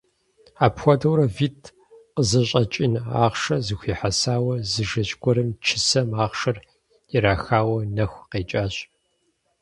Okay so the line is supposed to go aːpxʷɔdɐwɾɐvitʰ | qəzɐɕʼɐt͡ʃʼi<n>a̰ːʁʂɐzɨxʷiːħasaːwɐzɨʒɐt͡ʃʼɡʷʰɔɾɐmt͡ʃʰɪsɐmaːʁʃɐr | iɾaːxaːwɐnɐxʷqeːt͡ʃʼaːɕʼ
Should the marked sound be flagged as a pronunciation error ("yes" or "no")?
no